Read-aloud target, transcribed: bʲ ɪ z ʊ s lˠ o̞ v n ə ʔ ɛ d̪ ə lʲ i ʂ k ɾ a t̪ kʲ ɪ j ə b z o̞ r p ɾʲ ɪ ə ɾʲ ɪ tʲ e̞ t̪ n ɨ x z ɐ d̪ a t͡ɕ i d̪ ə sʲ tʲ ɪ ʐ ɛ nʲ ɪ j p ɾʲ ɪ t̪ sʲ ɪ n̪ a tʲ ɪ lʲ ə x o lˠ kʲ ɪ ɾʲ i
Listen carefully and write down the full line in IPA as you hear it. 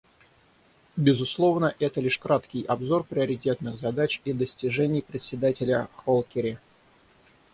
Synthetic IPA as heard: bʲ ɪ z ʊ s lˠ o̞ v n ə ʔ ɛ t̪ ə lʲ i ʂ k ɾ a t̪ kʲ ɪ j ɐ b z o̞ r p ɾʲ ɪ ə ɾʲ ɪ tʲ e̞ t̪ n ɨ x z ɐ d̪ a t͡ɕ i d̪ ə sʲ tʲ ɪ ʐ ɛ nʲ ɪ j p ɾʲ ɪ t̪ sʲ ɪ d̪ a tʲ ɪ lʲ ə x o lˠ kʲ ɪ ɾʲ ɪ

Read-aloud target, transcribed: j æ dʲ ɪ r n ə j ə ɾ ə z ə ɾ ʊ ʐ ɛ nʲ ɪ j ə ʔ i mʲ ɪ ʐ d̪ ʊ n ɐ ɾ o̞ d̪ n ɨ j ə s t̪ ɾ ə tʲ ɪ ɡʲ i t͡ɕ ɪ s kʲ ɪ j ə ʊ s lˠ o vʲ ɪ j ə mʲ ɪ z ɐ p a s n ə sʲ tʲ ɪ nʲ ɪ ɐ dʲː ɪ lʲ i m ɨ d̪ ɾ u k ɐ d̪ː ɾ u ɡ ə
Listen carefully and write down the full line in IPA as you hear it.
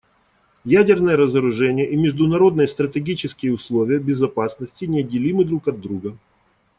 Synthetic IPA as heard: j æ dʲ ɪ r n ə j ə ɾ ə z ə ɾ ʊ ʐ ɛ nʲ ɪ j ə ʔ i mʲ ɪ ʐ d̪ ʊ n ɐ ɾ o̞ d̪ n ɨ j ə s t̪ ɾ ə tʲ ɪ ɡʲ i t͡ɕ ɪ s kʲ ɪ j ə ʊ s lˠ o vʲ ɪ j ə bʲ ɪ z ɐ p a s n ə sʲ tʲ ɪ nʲ ɪ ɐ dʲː ɪ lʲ i m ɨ d̪ ɾ u k ɐ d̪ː ɾ u ɡ ə

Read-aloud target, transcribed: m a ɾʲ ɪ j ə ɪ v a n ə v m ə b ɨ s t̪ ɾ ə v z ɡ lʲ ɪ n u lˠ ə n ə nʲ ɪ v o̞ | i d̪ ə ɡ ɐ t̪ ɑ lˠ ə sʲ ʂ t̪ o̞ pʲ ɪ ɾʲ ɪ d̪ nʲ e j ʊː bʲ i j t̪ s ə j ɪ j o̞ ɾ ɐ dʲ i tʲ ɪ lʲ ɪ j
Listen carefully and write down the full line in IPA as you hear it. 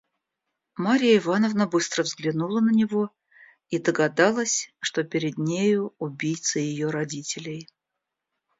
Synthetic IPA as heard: m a ɾʲ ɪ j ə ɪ v a n ə v n ə b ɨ s t̪ ɾ ə v z ɡ lʲ ɪ n u lˠ ə n ə nʲ ɪ v o̞ | i d̪ ə ɡ ɐ d̪ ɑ lˠ ə sʲ ʂ t̪ o̞ pʲ ɪ ɾʲ ɪ d̪ nʲ e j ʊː bʲ i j t̪ s ə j ɪ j o̞ ɾ ɐ dʲ i tʲ ɪ lʲ ɪ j

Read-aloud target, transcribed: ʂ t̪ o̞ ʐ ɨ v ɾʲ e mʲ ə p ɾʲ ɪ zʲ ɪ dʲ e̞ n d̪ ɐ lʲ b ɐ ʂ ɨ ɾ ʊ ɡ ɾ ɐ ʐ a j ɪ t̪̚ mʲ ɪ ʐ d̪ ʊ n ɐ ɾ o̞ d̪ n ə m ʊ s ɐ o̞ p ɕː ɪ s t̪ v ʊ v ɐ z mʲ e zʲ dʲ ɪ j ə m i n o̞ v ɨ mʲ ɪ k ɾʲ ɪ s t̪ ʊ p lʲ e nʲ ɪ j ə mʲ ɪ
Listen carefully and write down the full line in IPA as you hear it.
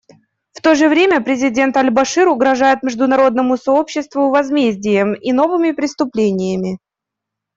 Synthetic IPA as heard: f t̪ o̞ ʐ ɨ v ɾʲ e mʲ ə p ɾʲ ɪ zʲ ɪ dʲ e̞ n t̪ ɐ lʲ b ɐ ʂ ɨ ɾ ʊ ɡ ɾ ɐ ʐ a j ɪ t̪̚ mʲ ɪ ʐ d̪ ʊ n ɐ ɾ o̞ d̪ n ə m ʊ s ɐ o̞ p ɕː ɪ s t̪ v ʊ v ɐ z mʲ e zʲ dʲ ɪ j ə m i n o̞ v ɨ mʲ ɪ p ɾʲ ɪ s t̪ ʊ p lʲ e nʲ ɪ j ə mʲ ɪ

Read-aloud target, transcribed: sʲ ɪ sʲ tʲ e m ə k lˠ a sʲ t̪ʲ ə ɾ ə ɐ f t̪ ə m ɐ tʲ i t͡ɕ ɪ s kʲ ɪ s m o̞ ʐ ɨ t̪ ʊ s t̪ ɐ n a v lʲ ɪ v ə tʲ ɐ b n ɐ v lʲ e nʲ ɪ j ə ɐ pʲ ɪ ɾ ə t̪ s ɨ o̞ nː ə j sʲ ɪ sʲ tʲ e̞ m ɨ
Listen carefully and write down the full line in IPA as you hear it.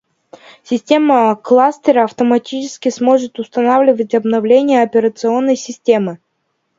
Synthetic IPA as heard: sʲ ɪ sʲ tʲ e m ə k lˠ a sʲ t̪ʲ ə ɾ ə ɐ f t̪ ə m ɐ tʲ i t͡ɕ ɪ s kʲ ɪ s m o̞ ʐ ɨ t̪ ʊ s t̪ ɐ n a v lʲ ɪ v ə tʲ ɐ b n ɐ v lʲ e nʲ ɪ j ə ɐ pʲ ɪ ɾ ə t̪ s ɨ o̞ nː ə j sʲ ɪ sʲ tʲ e̞ m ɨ

